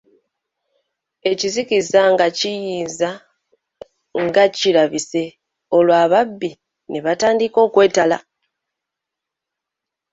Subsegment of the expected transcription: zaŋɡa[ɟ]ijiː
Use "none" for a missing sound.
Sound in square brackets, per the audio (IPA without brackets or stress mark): c